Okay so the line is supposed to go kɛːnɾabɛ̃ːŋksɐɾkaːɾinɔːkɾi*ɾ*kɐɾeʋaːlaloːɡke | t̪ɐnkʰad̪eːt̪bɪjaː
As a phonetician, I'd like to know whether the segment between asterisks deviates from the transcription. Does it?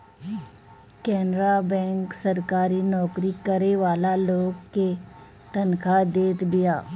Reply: yes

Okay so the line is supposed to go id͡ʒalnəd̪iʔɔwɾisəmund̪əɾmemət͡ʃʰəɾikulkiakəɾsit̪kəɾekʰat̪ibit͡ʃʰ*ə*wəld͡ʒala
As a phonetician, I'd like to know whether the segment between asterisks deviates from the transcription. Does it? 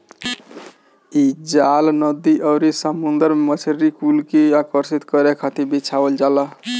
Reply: yes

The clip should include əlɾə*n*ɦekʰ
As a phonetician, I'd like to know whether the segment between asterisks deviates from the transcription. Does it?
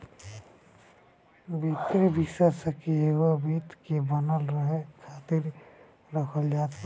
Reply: yes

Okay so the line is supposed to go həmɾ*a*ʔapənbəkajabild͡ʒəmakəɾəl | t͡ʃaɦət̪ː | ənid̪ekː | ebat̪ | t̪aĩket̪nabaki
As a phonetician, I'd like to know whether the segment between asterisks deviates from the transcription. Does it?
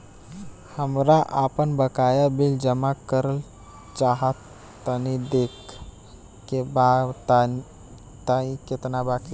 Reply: no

